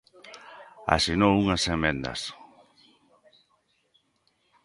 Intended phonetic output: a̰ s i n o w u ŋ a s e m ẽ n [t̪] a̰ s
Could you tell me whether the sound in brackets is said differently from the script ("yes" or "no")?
yes